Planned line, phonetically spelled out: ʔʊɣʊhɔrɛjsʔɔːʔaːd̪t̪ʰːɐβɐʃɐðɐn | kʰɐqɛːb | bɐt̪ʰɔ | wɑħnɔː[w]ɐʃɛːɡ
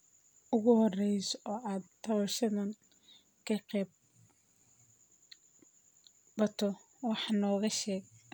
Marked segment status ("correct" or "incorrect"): incorrect